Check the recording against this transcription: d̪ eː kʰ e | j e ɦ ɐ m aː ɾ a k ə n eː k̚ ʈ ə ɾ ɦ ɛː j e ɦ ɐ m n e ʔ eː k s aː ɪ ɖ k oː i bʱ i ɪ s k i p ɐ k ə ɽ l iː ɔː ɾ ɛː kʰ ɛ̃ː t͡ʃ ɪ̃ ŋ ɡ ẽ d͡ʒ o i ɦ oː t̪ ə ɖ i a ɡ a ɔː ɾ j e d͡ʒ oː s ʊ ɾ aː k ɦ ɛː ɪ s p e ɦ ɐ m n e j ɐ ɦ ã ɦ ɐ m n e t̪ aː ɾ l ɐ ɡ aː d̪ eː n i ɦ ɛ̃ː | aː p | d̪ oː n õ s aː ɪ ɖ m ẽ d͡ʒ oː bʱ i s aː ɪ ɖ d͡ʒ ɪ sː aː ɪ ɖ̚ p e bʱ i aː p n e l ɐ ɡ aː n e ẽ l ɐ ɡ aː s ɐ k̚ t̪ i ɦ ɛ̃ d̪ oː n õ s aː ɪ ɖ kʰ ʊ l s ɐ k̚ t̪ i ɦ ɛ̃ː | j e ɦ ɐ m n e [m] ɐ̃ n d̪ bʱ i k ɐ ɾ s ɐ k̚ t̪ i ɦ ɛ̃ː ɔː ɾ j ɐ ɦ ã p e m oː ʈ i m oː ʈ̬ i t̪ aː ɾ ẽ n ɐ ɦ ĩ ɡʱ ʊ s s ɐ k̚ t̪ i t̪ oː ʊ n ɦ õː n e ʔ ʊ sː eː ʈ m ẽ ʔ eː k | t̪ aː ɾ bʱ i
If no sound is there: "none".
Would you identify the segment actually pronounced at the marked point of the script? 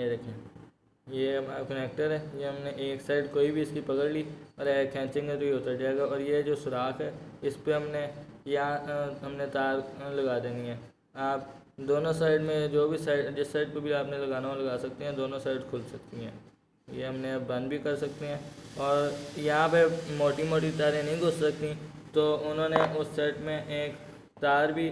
b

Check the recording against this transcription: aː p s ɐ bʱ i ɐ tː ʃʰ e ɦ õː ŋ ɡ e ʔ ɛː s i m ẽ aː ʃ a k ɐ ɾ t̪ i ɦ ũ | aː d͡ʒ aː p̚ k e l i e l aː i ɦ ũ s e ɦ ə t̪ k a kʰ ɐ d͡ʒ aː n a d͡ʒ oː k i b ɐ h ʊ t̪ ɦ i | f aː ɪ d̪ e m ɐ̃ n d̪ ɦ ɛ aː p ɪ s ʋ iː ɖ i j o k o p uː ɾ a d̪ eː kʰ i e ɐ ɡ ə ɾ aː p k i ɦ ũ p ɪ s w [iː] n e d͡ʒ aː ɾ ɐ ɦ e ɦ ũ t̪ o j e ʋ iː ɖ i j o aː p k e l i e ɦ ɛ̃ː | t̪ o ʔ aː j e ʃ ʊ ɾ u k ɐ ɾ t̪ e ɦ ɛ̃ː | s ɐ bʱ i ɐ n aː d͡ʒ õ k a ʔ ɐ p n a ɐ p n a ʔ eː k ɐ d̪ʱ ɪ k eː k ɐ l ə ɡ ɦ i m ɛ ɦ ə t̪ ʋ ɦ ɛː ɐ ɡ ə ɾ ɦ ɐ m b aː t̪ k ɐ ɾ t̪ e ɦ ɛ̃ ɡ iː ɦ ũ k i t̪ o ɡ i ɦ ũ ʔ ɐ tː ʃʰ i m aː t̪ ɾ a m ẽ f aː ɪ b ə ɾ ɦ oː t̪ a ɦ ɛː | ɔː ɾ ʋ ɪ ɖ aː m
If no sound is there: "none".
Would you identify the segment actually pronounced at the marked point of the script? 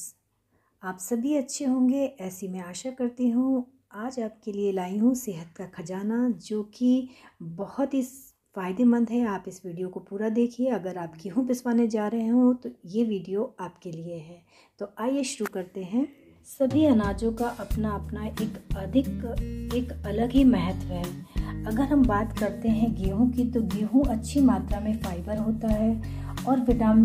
aː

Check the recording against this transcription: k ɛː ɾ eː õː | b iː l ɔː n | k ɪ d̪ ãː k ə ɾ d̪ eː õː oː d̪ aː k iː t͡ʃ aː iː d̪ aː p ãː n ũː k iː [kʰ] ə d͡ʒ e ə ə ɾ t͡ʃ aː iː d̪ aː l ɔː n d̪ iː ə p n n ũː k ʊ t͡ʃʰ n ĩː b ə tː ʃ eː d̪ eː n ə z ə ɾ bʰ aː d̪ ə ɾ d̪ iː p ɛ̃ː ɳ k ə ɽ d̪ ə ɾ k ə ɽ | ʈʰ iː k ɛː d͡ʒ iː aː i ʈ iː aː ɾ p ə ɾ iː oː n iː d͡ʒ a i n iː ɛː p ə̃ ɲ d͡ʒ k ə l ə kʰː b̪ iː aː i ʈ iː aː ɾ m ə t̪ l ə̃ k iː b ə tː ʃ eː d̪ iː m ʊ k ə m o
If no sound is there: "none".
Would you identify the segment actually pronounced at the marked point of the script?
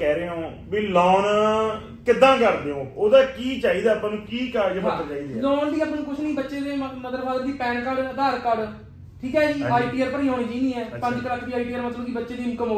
k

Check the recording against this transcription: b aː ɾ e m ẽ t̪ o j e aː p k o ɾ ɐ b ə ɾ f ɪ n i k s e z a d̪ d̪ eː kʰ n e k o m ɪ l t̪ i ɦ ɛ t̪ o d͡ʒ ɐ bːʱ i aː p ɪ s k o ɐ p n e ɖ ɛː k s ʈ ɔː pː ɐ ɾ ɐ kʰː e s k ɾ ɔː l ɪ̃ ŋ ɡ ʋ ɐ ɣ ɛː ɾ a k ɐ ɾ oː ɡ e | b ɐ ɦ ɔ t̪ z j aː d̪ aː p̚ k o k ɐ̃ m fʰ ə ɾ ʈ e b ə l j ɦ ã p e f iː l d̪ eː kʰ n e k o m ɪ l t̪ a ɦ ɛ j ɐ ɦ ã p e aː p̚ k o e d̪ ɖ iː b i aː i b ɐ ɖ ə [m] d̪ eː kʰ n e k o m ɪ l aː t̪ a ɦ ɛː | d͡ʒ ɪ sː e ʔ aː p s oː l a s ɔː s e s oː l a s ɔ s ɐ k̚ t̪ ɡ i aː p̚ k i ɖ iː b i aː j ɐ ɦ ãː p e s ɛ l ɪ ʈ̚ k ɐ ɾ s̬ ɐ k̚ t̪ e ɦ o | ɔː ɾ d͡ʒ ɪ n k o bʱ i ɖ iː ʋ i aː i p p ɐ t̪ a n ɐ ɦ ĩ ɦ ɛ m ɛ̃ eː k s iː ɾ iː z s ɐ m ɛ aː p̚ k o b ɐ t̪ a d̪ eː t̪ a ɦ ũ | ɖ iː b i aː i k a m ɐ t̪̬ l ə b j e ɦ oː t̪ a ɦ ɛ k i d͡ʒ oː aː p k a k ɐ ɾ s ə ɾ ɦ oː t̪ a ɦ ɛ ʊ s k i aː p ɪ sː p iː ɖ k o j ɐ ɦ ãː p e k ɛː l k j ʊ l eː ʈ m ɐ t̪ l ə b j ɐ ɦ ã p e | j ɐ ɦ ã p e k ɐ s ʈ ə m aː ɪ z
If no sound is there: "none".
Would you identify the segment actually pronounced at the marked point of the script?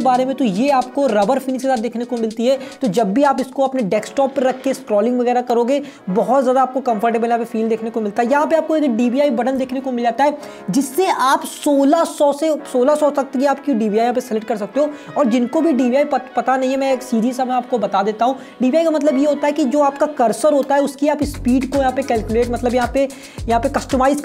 n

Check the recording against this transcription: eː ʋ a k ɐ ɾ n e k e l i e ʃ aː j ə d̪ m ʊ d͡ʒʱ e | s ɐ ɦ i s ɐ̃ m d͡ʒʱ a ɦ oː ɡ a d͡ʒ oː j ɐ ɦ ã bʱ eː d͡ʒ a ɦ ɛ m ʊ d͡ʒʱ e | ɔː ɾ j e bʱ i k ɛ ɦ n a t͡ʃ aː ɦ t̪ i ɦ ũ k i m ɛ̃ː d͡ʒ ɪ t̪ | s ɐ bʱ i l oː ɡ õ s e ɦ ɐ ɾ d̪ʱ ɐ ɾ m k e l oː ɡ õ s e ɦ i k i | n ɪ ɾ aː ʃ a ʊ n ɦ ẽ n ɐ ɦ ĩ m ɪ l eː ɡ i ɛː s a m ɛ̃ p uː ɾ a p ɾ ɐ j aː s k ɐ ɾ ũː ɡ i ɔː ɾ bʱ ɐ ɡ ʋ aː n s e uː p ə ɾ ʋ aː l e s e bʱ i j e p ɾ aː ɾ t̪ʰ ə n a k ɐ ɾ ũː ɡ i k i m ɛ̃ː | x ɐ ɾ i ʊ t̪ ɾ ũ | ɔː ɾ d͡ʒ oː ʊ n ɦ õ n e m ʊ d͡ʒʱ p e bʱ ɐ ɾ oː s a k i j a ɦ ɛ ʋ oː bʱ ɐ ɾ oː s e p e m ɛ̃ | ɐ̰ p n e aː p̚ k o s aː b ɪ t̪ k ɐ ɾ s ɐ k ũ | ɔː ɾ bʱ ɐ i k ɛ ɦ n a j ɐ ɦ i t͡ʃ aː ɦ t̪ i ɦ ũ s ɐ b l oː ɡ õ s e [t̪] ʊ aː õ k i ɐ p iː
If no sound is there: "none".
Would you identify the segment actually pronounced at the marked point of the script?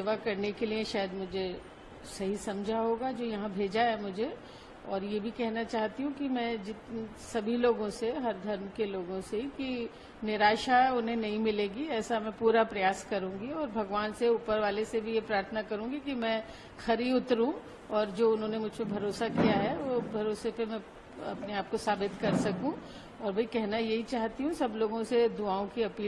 d̪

